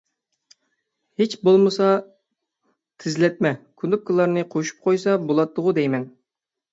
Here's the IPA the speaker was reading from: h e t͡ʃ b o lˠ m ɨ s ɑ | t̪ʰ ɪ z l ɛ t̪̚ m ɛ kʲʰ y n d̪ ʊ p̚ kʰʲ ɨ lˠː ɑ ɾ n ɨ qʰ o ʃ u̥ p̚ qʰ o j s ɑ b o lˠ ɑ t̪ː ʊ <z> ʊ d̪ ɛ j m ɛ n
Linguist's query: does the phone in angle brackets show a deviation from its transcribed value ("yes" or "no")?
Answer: yes